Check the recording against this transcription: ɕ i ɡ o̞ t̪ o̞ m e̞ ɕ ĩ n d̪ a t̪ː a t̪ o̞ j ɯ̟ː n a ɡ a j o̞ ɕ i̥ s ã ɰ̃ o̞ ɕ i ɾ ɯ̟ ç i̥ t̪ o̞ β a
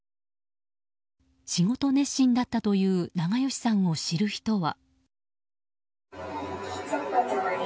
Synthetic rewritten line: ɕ i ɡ o̞ t̪ o̞ n e̞ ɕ ĩ n d̪ a t̪ː a t̪ o̞ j ɯ̟ː n a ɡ a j o̞ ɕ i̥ s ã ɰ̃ o̞ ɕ i ɾ ɯ̟ ç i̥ t̪ o̞ β a